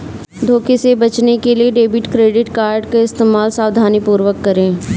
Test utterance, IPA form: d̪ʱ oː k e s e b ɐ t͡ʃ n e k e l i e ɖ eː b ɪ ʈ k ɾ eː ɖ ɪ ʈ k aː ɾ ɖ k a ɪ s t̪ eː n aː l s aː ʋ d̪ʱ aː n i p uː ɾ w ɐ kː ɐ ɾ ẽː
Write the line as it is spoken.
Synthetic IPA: d̪ʱ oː k e s e b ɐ t͡ʃ n e k e l i e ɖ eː b ɪ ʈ k ɾ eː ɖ ɪ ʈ k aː ɾ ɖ k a ɪ s t̪ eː m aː l s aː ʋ d̪ʱ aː n i p uː ɾ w ə kː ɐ ɾ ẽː